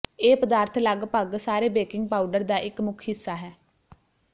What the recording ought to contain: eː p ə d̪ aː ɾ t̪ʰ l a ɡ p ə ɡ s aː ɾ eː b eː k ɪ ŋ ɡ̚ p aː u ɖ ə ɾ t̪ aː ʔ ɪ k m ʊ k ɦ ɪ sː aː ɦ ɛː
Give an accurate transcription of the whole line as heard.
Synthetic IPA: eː p ə d̪ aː ɾ t̪ʰ l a ɡ p ə ɡ s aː ɾ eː b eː k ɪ ŋ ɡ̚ p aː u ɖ ə ɾ d̪ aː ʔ ɪ k m ʊ kʰ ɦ ɪ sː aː ɦ ɛː